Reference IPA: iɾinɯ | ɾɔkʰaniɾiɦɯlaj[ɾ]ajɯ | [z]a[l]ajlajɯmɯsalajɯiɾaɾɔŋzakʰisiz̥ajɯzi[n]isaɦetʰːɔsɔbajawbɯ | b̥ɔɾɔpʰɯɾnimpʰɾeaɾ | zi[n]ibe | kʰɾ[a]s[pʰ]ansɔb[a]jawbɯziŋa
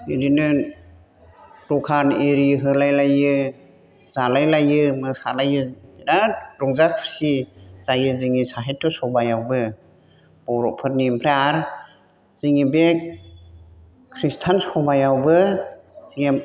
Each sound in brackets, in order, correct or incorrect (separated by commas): incorrect, correct, correct, incorrect, incorrect, incorrect, incorrect, correct